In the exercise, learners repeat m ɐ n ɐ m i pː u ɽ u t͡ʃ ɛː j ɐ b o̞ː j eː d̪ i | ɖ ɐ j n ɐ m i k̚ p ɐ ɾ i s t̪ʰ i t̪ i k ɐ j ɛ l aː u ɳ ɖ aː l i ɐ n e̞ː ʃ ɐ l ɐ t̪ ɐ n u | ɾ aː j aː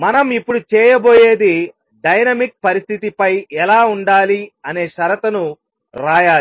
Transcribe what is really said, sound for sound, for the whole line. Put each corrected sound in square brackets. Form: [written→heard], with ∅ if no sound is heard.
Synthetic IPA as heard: m ɐ n ɐ m i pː u ɽ u t͡ʃ ɛː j ɐ b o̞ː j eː d̪ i | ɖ ɐ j n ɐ m i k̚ p ɐ ɾ i s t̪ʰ i t̪ i [k→p] ɐ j ɛ l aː u ɳ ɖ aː l i ɐ n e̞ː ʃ ɐ [l→ɾ] ɐ t̪ ɐ n u | ɾ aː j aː

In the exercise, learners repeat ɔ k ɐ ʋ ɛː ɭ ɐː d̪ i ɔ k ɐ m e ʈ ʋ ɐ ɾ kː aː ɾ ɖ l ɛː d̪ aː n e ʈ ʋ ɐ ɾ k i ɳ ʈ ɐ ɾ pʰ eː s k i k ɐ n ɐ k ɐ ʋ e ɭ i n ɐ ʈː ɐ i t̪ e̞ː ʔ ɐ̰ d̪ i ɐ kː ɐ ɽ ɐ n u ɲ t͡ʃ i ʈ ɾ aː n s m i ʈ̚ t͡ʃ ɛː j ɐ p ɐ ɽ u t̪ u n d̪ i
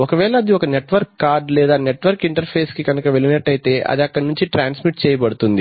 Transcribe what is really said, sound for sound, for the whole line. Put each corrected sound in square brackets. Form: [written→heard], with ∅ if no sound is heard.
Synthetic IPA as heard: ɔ k ɐ ʋ ɛː ɭ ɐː d̪ i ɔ k ɐ [m→n] e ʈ ʋ ɐ ɾ kː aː ɾ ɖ l ɛː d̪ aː n e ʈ ʋ ɐ ɾ k i ɳ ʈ ɐ ɾ pʰ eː s k i k ɐ n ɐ k ɐ ʋ e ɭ i n ɐ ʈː ɐ [i→j] t̪ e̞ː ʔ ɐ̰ d̪ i ɐ kː ɐ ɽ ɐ n u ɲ t͡ʃ i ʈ ɾ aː n s m i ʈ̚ t͡ʃ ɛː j ɐ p ɐ ɽ u t̪ u n d̪ i

